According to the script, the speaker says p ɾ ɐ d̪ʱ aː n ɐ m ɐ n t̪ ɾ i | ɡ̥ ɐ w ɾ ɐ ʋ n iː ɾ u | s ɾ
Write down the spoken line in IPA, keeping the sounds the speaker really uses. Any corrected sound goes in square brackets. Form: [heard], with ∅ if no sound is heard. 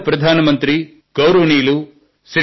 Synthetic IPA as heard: p ɾ ɐ d̪ʱ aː n ɐ m ɐ n t̪ ɾ i | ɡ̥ ɐ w ɾ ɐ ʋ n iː [l] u | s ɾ